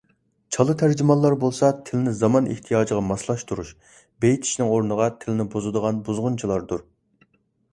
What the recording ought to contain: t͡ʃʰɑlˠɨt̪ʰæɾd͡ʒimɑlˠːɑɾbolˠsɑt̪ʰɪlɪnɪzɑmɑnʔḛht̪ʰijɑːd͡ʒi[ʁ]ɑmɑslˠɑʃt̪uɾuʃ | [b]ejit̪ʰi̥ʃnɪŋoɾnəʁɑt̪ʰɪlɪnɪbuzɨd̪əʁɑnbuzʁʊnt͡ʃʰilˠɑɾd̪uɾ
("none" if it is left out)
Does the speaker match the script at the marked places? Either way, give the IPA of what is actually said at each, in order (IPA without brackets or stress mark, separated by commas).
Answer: ʁ, b